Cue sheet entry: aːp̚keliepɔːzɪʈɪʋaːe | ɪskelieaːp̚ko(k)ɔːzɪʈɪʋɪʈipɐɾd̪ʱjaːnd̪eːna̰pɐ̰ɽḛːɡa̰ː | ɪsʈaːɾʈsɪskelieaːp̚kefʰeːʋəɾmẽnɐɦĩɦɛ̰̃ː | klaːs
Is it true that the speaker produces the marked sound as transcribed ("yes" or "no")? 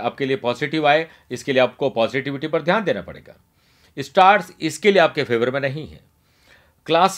no